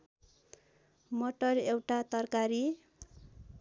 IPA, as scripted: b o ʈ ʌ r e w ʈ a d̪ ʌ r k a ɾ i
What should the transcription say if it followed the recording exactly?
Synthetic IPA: m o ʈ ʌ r e w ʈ a t̪ ʌ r k a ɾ i